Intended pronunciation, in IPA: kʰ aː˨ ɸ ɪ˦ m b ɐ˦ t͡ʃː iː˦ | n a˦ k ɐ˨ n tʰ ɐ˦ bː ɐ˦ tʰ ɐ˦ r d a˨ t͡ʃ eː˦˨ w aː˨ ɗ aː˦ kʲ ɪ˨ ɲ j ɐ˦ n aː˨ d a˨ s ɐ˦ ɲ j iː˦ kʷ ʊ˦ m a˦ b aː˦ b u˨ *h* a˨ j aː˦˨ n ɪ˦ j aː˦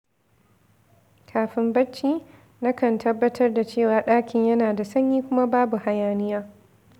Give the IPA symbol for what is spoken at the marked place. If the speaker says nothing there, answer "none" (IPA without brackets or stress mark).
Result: h